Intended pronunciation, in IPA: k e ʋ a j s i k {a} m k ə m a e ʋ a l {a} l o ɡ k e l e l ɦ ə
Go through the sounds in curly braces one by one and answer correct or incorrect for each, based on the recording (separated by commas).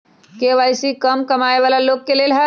incorrect, correct